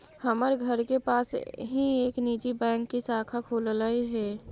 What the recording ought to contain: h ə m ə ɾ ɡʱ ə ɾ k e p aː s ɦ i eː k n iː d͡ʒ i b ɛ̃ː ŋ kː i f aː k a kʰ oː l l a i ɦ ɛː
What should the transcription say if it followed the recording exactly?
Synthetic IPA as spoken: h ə m ə ɾ ɡʱ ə ɾ k e p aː s ɦ i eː k n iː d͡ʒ i b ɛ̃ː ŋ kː i s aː kʰ a kʰ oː l l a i ɦ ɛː